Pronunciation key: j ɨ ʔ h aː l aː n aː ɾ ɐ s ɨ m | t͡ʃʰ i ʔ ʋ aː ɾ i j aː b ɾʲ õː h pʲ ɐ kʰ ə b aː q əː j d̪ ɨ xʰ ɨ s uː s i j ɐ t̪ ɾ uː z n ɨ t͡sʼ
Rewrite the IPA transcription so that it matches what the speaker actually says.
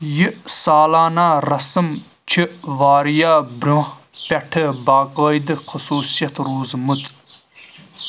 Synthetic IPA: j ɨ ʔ s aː l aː n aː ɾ ɐ s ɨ m | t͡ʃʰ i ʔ ʋ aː ɾ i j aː b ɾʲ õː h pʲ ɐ ʈʰ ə b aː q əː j d̪ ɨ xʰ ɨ s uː s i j ɐ t̪ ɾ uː z m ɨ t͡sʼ

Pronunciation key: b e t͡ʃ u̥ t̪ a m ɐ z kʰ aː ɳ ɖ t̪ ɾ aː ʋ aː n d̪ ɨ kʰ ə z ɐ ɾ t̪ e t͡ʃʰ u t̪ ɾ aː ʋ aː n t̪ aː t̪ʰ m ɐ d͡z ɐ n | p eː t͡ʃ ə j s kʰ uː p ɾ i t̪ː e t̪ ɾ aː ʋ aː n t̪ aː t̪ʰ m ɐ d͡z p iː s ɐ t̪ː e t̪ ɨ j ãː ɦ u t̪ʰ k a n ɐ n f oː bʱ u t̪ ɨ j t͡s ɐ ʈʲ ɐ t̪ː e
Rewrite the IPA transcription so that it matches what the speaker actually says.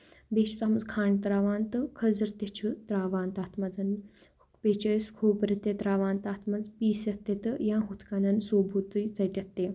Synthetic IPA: b e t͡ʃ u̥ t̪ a m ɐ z kʰ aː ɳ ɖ t̪ ɾ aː ʋ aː n t̪ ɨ kʰ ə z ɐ ɾ t̪ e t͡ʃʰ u t̪ ɾ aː ʋ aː n t̪ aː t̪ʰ m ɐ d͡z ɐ n | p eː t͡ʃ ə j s kʰ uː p ɾ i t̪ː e t̪ ɾ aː ʋ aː n t̪ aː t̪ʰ m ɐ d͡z p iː s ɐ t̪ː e t̪ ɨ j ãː ɦ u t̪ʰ k a n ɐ n s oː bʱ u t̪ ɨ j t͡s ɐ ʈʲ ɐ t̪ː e

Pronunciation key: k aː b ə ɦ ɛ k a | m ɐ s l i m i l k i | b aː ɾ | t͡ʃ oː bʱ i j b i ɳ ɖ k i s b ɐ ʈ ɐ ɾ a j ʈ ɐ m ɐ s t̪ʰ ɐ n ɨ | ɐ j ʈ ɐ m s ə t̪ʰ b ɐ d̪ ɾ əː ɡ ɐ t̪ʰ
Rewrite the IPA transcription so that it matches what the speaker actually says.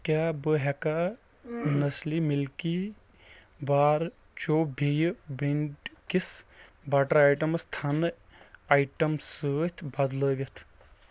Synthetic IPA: k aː b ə ɦ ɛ k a | n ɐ s l i m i l k i | b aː ɾ | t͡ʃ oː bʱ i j b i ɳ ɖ k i s b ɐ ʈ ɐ ɾ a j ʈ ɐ m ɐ s t̪ʰ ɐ n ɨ | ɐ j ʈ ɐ m s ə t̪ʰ b ɐ d̪ l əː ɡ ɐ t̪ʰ

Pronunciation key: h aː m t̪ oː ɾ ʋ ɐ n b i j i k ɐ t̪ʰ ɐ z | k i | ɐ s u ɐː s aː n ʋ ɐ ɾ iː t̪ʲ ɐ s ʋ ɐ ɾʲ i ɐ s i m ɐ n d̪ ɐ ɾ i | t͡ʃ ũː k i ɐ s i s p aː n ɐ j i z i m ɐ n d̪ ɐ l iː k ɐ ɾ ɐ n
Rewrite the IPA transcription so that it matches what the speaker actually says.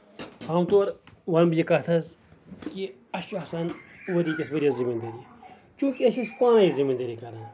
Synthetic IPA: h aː m t̪ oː ɾ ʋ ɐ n b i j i k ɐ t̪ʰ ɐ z | k i | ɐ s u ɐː s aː n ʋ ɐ ɾ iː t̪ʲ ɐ s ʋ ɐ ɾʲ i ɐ z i m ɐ n d̪ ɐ ɾ i | t͡ʃ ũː k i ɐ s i s p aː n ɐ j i z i m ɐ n d̪ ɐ ɾ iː k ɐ ɾ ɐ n

